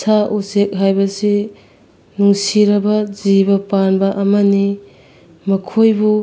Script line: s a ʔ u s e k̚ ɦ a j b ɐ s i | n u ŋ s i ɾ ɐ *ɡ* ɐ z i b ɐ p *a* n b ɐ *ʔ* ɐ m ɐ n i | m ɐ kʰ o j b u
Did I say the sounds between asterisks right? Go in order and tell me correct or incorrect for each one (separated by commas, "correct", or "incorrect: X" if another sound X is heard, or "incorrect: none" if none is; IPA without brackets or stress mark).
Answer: incorrect: b, correct, correct